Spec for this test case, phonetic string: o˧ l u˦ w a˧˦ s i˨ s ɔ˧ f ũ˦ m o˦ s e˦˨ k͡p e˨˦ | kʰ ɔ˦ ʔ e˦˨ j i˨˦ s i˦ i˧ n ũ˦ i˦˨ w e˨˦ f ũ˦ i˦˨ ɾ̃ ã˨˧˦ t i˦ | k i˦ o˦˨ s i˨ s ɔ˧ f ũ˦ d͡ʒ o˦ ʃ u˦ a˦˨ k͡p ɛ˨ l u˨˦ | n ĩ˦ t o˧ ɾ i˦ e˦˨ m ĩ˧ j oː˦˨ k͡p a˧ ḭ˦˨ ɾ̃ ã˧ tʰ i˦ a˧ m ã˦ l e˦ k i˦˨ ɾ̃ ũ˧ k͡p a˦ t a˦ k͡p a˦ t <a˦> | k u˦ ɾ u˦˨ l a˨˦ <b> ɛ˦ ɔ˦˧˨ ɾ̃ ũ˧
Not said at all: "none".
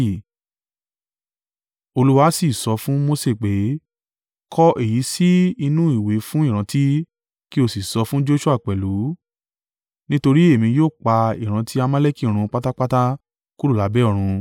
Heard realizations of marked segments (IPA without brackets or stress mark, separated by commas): a˦, b